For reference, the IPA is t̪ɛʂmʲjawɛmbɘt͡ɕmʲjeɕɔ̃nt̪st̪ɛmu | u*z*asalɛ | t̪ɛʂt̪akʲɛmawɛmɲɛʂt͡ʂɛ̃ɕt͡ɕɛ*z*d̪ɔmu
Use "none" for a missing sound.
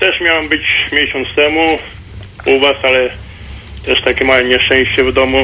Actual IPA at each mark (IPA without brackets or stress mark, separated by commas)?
v, v